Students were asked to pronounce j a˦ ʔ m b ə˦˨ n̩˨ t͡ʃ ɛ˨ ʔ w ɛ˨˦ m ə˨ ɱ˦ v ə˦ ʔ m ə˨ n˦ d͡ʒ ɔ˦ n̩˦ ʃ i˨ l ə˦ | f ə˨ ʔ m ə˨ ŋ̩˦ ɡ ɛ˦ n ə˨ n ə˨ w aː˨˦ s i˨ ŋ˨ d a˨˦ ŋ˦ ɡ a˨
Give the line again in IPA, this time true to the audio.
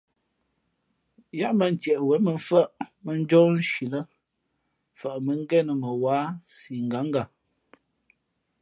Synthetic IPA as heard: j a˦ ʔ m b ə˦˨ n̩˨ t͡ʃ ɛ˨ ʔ w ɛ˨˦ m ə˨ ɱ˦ f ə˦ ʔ m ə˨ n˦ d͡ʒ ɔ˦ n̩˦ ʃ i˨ l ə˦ | f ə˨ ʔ m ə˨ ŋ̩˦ ɡ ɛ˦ n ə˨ m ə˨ w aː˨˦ s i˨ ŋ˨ ɡ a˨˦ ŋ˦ ɡ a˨